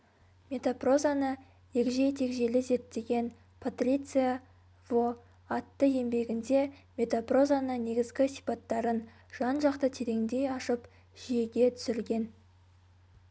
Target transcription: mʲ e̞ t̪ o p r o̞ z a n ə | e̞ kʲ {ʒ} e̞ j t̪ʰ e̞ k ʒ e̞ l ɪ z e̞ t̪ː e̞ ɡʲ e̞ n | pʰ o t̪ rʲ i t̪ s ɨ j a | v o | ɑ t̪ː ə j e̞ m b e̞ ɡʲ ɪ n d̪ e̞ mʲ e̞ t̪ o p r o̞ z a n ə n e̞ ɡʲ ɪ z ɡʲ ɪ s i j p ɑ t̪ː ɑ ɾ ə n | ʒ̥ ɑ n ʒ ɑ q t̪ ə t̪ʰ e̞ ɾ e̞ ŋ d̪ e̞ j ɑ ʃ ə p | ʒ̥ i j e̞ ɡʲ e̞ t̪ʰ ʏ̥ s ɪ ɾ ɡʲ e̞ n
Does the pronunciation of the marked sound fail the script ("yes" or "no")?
no